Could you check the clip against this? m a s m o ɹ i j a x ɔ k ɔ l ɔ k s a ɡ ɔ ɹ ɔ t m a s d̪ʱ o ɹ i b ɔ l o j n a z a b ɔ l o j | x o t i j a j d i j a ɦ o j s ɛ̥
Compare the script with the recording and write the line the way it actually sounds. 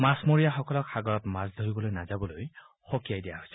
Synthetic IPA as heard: m a s m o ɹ i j a x ɔ k ɔ l ɔ k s a ɡ ɔ ɹ ɔ t m a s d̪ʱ o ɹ i b ɔ l o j n a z a b ɔ l o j | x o k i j a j d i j a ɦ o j s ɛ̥

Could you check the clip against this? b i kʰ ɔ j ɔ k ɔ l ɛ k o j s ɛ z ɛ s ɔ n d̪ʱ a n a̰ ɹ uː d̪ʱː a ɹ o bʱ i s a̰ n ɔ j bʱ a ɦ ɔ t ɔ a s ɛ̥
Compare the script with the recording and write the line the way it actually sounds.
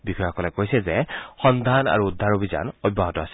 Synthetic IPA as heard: b i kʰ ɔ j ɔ k ɔ l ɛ k o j s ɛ z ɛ x ɔ n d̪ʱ a n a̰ ɹ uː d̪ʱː a ɹ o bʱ i z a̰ n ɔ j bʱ a ɦ ɔ t ɔ a s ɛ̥

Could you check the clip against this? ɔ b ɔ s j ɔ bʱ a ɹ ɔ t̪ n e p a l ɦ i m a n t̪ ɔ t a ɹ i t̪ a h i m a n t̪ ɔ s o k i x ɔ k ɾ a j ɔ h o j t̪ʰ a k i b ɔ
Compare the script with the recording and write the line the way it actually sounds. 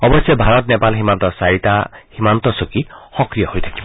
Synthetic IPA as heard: ɔ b ɔ s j ɔ bʱ a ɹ ɔ t̪ n e p a l ɦ i m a n t̪ ɔ s a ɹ i t̪ a h i m a n t̪ ɔ s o k i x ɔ k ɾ i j ɔ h o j t̪ʰ a k i b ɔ

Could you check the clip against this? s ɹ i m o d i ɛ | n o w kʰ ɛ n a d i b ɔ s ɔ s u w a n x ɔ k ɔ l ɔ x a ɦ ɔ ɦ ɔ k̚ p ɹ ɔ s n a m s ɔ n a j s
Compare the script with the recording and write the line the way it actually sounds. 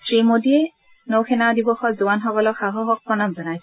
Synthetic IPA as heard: s ɹ i m o d i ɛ | n o w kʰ ɛ n a d i b ɔ x ɔ z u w a n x ɔ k ɔ l ɔ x a ɦ ɔ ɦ ɔ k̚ p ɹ ɔ n a m z ɔ n a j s

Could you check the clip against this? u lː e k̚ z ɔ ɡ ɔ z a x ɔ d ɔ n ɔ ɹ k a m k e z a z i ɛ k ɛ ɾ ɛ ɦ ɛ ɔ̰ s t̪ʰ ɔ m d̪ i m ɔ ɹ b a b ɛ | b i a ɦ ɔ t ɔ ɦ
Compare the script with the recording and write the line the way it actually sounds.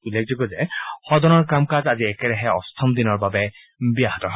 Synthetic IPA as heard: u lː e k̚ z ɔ ɡ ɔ z ɛ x ɔ d ɔ n ɔ ɹ k a m k a z a z i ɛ k ɛ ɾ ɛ ɦ ɛ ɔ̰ s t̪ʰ ɔ m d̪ i n ɔ ɹ b a b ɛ | b i a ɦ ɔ t ɔ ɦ

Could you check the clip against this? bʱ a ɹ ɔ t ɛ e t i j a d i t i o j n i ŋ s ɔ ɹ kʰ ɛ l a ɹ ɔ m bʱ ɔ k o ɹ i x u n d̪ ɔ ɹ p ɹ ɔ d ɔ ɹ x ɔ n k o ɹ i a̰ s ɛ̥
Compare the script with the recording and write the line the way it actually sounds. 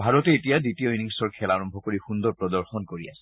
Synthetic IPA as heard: bʱ a ɹ ɔ t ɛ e t i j a d i t i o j n i ŋ s ɔ ɹ kʰ ɛ l a ɹ ɔ m bʱ ɔ k o ɹ i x u n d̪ ɔ ɹ p ɹ ɔ d ɔ ɹ x ɔ n k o ɹ i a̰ s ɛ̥

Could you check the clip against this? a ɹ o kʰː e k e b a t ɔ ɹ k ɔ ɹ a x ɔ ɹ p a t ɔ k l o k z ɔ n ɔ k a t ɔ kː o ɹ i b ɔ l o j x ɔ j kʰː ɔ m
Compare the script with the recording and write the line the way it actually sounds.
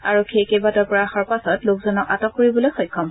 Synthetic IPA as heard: a ɹ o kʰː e k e b a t ɔ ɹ p ɔ ɹ a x ɔ ɹ p a s ɔ t l o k z ɔ n ɔ k a t ɔ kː o ɹ i b ɔ l o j x ɔ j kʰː ɔ m

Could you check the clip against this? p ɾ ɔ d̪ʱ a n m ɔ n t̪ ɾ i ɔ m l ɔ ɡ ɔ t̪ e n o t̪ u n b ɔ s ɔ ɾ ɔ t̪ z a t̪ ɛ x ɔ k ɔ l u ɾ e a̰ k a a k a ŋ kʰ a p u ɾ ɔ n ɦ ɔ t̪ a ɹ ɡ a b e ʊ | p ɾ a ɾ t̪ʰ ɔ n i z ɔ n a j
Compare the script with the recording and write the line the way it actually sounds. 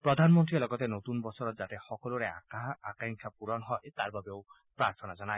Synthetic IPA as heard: p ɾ ɔ d̪ʱ a n m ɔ n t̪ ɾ i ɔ l ɔ ɡ ɔ t̪ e n o t̪ u n b ɔ s ɔ ɾ ɔ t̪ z a t̪ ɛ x ɔ k ɔ l u ɾ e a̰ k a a k a ŋ kʰ a p u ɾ ɔ n ɦ ɔ t̪ a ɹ b a b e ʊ | p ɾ a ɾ t̪ʰ ɔ n a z ɔ n a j

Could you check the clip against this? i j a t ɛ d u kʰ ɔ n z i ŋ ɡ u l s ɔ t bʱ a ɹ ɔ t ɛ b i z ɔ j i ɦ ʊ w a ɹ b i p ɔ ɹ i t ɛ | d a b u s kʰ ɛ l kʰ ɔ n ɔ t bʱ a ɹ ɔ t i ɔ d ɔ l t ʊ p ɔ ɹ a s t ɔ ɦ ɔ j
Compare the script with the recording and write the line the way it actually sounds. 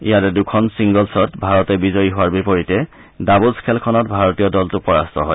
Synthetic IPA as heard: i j a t ɛ d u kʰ ɔ n s i ŋ ɡ ɔ l s ɔ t bʱ a ɹ ɔ t ɛ b i z ɔ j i ɦ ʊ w a ɹ b i p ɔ ɹ i t ɛ | d a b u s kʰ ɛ l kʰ ɔ n ɔ t bʱ a ɹ ɔ t i ɔ d ɔ l t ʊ p ɔ ɹ a s t ɔ ɦ ɔ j

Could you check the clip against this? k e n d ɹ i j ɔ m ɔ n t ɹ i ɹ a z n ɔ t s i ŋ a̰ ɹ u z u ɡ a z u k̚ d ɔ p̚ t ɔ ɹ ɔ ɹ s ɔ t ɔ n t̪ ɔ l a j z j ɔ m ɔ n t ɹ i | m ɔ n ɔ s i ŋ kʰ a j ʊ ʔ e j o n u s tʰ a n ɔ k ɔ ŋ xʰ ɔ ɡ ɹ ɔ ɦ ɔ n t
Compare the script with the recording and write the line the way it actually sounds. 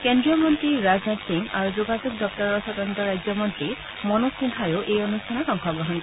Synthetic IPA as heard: k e n d ɹ i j ɔ m ɔ n t ɹ i ɹ a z n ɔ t s i ŋ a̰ ɹ u z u ɡ a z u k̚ d ɔ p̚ t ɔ ɹ ɔ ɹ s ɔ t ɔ n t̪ ɔ ɹ a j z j ɔ m ɔ n t ɹ i | m ɔ n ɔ s i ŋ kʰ a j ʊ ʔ e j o n u s tʰ a n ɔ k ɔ ŋ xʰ ɔ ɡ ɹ ɔ ɦ ɔ n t

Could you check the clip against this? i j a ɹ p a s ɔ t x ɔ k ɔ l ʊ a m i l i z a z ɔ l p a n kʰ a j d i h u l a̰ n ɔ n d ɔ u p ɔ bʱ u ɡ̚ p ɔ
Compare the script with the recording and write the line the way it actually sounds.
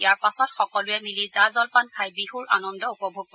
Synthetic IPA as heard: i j a ɹ p a s ɔ t x ɔ k ɔ l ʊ ɛ m i l i z a z ɔ l p a n kʰ a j b i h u ɹ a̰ n ɔ n d ɔ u p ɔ bʱ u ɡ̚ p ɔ

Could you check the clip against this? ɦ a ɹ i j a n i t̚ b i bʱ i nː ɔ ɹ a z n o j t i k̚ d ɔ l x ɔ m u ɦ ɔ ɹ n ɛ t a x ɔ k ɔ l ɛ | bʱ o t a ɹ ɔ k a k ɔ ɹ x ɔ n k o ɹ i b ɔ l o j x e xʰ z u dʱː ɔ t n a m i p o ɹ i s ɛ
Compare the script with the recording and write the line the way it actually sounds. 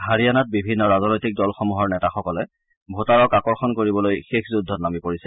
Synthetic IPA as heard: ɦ a ɹ i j a n a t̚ b i bʱ i nː ɔ ɹ a z n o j t i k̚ d ɔ l x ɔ m u ɦ ɔ ɹ n ɛ t a x ɔ k ɔ l ɛ | bʱ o t a ɹ ɔ k a k ɔ ɹ x ɔ n k o ɹ i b ɔ l o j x e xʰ z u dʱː ɔ t n a m i p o ɹ i s ɛ

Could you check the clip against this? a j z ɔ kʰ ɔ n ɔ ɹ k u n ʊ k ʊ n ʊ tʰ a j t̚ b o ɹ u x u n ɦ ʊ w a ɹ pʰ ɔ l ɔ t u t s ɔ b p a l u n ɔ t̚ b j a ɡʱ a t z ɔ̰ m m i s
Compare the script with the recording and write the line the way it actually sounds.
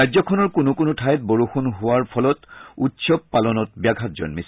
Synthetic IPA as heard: a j z ɔ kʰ ɔ n ɔ ɹ k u n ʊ k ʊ n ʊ tʰ a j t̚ b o ɹ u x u n ɦ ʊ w a ɹ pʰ ɔ l ɔ t u t s ɔ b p a l ɔ n ɔ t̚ b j a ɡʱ a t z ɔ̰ n m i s

